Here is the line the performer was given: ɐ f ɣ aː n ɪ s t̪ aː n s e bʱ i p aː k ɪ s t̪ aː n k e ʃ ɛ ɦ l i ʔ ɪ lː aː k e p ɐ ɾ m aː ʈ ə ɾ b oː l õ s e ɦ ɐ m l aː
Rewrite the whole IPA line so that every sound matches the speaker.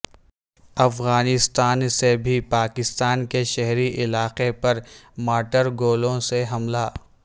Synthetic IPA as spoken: ɐ f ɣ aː n ɪ s t̪ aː n s e bʱ i p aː k ɪ s t̪ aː n k e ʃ ɛ ɦ ɾ i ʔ ɪ l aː q e p ɐ ɾ m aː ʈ ə ɾ ɡ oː l õ s e ɦ ɐ m l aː